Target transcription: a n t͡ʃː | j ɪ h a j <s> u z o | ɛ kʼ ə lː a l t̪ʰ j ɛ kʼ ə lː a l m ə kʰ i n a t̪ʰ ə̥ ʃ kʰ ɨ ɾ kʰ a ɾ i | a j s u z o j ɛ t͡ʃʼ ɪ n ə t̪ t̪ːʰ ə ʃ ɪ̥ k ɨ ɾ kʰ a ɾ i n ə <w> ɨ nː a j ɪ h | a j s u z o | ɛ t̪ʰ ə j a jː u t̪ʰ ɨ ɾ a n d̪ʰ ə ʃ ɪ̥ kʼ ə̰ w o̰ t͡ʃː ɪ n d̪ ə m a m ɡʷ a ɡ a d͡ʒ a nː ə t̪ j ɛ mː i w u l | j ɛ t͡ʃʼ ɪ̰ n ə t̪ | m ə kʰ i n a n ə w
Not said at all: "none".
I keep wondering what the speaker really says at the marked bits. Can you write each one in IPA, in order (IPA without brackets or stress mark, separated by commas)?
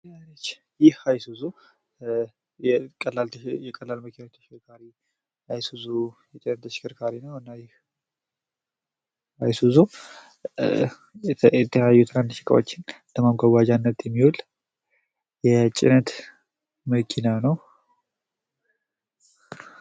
s, w